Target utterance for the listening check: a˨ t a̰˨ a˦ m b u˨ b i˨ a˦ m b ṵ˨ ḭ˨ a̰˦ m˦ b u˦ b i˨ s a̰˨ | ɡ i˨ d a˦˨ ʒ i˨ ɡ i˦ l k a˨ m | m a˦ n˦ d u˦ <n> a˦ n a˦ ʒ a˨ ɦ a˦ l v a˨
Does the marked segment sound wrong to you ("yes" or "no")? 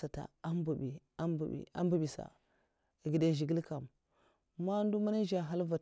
yes